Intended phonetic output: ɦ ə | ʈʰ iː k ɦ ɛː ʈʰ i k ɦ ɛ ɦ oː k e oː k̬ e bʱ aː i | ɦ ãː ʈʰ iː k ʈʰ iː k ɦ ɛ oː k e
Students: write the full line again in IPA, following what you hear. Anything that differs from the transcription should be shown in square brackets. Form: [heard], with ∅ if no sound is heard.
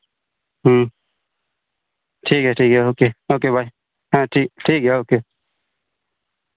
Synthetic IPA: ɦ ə | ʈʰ iː k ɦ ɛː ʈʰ [iː] k ɦ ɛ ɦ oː k e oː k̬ e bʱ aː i | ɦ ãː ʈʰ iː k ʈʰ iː k ɦ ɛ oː k e